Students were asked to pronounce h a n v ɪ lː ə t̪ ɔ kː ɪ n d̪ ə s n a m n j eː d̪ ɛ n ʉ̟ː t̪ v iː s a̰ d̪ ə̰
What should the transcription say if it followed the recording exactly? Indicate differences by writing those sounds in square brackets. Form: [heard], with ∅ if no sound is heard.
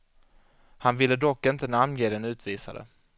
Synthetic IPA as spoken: h a n v ɪ lː ə [d̪] ɔ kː ɪ n [t̪] ə [∅] n a m n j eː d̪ ɛ n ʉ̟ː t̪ v iː s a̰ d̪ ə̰